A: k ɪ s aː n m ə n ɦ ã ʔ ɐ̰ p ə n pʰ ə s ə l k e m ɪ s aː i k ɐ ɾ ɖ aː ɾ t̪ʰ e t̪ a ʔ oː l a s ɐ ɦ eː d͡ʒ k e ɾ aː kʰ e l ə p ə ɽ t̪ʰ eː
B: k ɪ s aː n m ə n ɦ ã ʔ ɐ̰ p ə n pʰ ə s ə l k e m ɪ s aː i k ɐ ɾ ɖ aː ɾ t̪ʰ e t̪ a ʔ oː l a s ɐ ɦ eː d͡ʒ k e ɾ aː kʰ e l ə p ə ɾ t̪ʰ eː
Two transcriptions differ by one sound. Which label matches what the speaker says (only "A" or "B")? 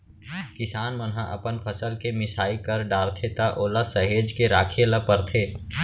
B